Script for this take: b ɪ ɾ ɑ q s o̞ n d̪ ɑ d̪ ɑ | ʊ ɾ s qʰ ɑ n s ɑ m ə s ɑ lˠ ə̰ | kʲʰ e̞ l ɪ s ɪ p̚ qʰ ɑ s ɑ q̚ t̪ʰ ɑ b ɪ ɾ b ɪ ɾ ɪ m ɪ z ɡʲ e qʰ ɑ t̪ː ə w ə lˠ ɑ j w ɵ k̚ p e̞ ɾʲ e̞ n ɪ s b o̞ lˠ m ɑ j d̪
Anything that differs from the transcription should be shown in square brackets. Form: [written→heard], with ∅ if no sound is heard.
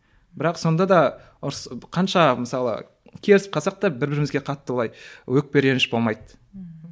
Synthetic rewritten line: b ɪ ɾ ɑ q s o̞ n d̪ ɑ d̪ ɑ | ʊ ɾ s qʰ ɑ n [s→ʃ] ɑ m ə s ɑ lˠ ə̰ | kʲʰ e̞ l ɪ s ɪ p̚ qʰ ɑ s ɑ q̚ [t̪ʰ→t̪] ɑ b ɪ ɾ b ɪ ɾ ɪ m ɪ z ɡʲ e qʰ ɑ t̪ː ə w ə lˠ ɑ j w ɵ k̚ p e̞ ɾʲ e̞ n ɪ [s→ʃ] b o̞ lˠ m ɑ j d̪